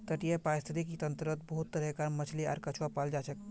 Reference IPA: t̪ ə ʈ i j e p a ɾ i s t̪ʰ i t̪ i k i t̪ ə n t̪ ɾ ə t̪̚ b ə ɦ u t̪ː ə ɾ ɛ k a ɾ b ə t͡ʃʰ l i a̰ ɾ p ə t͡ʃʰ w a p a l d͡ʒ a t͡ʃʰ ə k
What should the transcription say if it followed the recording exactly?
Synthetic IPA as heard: t̪ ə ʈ i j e p a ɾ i s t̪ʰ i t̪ i k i t̪ ə n t̪ ɾ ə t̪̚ b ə ɦ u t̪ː ə ɾ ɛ k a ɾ m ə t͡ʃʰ l i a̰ ɾ k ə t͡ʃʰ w a p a l d͡ʒ a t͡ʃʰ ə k